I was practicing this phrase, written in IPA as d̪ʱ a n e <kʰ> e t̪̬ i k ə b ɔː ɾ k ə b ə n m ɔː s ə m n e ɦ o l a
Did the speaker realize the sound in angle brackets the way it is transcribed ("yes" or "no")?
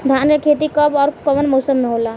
yes